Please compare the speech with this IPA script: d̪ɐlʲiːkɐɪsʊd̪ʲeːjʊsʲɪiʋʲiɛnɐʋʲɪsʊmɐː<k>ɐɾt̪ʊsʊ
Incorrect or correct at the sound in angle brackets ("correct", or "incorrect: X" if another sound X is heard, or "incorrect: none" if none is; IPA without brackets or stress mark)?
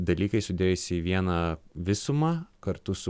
correct